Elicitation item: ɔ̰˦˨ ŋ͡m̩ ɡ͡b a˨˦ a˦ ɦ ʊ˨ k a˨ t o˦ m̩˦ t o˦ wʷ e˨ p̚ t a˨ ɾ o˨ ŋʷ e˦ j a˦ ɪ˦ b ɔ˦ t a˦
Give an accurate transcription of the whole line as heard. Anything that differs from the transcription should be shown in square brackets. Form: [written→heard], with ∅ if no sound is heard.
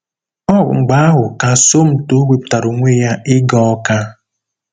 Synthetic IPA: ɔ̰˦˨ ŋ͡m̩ ɡ͡b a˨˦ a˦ ɦ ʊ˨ k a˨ [t→s] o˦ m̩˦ t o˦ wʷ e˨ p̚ t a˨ ɾ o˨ ŋʷ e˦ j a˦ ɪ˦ [b→ɡ] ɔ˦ [t→k] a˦